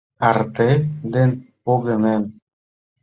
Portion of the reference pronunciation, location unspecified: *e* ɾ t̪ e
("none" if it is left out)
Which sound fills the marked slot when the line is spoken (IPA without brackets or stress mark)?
a